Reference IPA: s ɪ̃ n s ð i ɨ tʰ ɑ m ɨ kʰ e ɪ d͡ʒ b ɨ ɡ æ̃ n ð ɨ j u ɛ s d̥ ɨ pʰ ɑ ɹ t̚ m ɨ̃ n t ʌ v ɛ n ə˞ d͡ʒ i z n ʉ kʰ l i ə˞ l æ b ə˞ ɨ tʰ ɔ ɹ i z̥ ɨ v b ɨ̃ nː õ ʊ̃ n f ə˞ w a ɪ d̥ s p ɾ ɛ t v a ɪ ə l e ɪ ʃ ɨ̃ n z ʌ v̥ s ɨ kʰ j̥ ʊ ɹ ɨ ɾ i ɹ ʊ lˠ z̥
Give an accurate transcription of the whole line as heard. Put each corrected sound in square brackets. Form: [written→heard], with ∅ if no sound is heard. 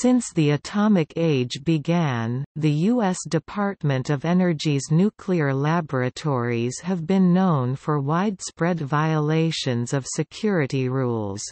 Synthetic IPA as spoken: s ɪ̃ n s ð i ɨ tʰ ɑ m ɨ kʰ e ɪ d͡ʒ b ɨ ɡ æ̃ n ð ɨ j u ɛ s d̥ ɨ pʰ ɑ ɹ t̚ m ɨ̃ n t ʌ v ɛ n ə˞ d͡ʒ i z n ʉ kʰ l i ə˞ l æ b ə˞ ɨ tʰ ɔ ɹ i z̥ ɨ v b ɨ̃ nː õ ʊ̃ n f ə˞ w a ɪ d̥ s p [ɾ→ɹ] ɛ [t→d] v a ɪ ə l e ɪ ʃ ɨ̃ n z ʌ v̥ s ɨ kʰ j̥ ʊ ɹ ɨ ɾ i ɹ [ʊ→u] lˠ z̥

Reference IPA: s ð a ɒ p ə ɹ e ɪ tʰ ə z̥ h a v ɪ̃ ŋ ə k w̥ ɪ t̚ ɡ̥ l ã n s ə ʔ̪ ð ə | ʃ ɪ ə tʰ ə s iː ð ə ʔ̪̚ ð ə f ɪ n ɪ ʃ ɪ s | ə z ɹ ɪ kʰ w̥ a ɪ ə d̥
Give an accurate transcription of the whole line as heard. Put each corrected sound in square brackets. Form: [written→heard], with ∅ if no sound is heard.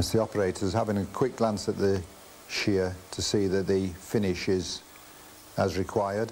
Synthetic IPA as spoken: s ð [a→i] ɒ p ə ɹ e ɪ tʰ ə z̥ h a v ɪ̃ ŋ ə [k→kʰ] w̥ ɪ [t̚→k̚] ɡ̥ l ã n s ə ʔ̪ ð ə | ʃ ɪ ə tʰ ə s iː ð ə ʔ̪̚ ð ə f ɪ n ɪ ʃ ɪ [s→z] | ə z ɹ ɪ kʰ w̥ a ɪ ə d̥

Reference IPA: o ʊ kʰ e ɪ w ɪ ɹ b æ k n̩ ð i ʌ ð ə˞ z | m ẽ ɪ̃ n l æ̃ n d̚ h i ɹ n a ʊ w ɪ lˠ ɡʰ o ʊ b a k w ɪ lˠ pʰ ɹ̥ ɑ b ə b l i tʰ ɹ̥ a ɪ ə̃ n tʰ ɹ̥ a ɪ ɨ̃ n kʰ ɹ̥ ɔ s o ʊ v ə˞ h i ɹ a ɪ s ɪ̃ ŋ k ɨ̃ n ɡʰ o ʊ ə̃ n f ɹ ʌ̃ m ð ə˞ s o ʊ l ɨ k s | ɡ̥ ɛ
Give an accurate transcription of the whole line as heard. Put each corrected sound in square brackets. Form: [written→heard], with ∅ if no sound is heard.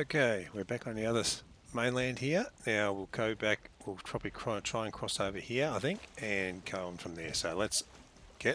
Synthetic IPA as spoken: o ʊ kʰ e ɪ w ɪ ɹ b æ k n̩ ð i ʌ ð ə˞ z | m ẽ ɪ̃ n l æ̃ n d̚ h i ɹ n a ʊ w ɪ lˠ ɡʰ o ʊ b [a→æ] k w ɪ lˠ pʰ ɹ̥ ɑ b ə b l i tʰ ɹ̥ a ɪ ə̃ n tʰ ɹ̥ a ɪ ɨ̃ n kʰ ɹ̥ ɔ s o ʊ v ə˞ h i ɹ a ɪ [s→θ] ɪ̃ ŋ k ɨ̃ n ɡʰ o ʊ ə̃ n f ɹ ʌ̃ m ð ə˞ s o ʊ l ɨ [k→t] s | ɡ̥ ɛ

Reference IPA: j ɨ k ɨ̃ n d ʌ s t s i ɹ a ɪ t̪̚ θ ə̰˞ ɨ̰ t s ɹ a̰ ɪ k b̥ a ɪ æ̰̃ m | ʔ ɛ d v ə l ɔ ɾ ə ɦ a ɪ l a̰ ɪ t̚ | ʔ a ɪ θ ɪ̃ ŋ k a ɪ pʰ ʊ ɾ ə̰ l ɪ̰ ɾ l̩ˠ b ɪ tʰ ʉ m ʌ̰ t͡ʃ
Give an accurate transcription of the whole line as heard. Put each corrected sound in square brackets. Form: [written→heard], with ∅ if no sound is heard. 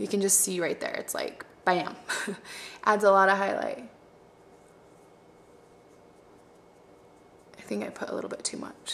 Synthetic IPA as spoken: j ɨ k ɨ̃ n [d→d͡ʒ] ʌ s t s i ɹ a ɪ t̪̚ [θ→ð] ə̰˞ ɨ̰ t s [ɹ→l] a̰ ɪ k b̥ a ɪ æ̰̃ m | ʔ [ɛ→æ] d [v→z] ə l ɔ ɾ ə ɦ a ɪ l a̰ ɪ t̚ | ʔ a ɪ θ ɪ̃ ŋ k a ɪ pʰ ʊ ɾ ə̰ l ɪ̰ ɾ l̩ˠ b ɪ tʰ ʉ m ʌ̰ t͡ʃ

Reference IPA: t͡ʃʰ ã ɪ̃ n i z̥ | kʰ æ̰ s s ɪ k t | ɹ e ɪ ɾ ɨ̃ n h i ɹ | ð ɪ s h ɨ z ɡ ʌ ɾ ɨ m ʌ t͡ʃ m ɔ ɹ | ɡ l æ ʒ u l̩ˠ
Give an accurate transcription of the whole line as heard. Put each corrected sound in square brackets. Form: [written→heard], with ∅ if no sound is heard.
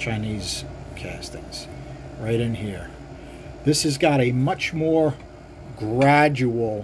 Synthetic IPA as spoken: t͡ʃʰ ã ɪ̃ n i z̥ | kʰ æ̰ s [s→t] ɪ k [t→s] | ɹ [e→a] ɪ ɾ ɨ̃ n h i ɹ | ð ɪ s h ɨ z ɡ [ʌ→ɑ] ɾ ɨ m ʌ t͡ʃ m ɔ ɹ | ɡ [l→ɹ] æ [ʒ→d͡ʒ] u l̩ˠ

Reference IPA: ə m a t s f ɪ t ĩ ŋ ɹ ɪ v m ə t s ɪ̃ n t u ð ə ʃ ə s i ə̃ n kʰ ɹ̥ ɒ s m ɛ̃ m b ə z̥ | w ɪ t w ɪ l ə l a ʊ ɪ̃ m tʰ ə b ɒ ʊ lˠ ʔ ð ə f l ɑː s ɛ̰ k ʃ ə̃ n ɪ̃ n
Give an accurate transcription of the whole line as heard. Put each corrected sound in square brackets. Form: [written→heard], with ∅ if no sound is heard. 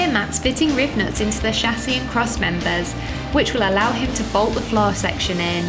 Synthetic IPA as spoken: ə m a t s f ɪ t [ĩ→ɪ̃] ŋ ɹ ɪ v [m→n] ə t s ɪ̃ n t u ð ə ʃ [ə→a] s i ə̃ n kʰ ɹ̥ ɒ s m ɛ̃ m b ə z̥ | w ɪ [t→t͡ʃ] w ɪ l ə l a ʊ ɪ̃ m tʰ ə b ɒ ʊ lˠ ʔ ð ə f l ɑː s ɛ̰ k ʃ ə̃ n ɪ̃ n

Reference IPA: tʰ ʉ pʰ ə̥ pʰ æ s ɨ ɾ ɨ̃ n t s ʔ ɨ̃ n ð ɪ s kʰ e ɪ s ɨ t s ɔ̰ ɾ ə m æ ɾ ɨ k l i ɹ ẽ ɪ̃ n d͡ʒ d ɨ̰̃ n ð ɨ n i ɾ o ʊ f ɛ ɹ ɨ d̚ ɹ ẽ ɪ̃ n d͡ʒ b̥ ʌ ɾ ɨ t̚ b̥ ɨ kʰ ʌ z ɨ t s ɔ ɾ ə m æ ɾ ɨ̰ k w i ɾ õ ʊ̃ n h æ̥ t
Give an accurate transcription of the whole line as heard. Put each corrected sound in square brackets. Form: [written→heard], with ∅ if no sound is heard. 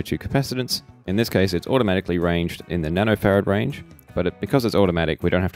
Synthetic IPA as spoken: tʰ ʉ [pʰ→kʰ] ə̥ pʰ æ s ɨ ɾ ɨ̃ n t s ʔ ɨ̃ n ð ɪ s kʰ e ɪ s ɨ t s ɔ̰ ɾ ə m æ ɾ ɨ k l i ɹ ẽ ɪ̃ n d͡ʒ d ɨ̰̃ n ð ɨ n [i→æ] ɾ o ʊ f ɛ ɹ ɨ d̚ ɹ ẽ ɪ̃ n d͡ʒ b̥ ʌ ɾ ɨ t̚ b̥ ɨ kʰ ʌ z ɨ t s ɔ ɾ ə m æ ɾ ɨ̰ k w i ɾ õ ʊ̃ n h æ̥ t

